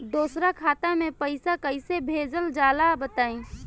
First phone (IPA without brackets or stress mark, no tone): d̪